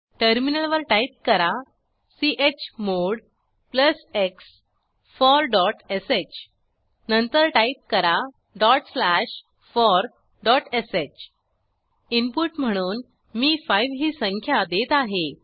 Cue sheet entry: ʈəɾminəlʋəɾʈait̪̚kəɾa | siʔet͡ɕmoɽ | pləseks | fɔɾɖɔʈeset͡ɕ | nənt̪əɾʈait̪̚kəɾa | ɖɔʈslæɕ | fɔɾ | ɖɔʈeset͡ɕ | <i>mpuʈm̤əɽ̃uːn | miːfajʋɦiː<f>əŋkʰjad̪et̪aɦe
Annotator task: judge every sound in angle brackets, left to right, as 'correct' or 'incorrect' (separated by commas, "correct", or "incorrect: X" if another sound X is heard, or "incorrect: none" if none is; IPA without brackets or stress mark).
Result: correct, incorrect: s